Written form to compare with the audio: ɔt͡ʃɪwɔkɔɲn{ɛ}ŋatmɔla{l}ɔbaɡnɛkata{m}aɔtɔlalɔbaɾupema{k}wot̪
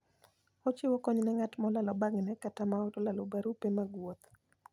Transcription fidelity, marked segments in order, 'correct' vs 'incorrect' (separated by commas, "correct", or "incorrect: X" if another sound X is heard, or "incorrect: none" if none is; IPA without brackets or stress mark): correct, correct, correct, incorrect: ɡ